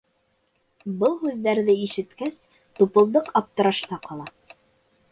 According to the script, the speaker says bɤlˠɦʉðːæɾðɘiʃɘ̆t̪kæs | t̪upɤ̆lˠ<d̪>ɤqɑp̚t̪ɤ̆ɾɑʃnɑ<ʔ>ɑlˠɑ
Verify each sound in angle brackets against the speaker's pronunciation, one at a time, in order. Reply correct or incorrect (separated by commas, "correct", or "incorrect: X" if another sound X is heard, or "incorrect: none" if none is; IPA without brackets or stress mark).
correct, incorrect: q